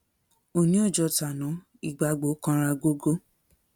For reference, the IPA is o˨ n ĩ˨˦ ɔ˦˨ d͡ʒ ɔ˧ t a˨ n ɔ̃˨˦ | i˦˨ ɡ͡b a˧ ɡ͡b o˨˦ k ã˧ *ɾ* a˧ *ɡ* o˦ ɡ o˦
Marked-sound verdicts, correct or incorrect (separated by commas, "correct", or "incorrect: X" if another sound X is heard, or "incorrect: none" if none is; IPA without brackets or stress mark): correct, correct